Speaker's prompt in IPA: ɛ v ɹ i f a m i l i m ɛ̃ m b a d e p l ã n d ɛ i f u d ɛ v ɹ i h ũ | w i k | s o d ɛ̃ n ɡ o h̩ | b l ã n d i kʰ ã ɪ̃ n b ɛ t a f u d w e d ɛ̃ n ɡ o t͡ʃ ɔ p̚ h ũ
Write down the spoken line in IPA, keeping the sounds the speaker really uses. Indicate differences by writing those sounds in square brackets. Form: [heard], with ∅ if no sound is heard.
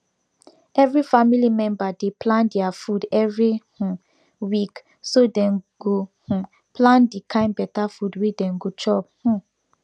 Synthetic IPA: ɛ v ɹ i f a m i l i m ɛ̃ m b a d e p l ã n d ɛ [a] f u d ɛ v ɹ i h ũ | w i k | s o d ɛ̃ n ɡ o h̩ | [p] l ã n d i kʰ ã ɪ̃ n b ɛ t a f u d w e d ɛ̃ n ɡ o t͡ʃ ɔ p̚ h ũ